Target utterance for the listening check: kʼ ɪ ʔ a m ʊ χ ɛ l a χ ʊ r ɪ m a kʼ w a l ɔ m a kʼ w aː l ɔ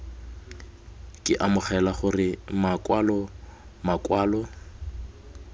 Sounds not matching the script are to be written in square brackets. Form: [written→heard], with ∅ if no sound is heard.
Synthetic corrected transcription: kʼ ɪ ʔ a m ʊ χ ɛ l a χ ʊ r ɪ m a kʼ w a l ɔ m a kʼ w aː l ɔ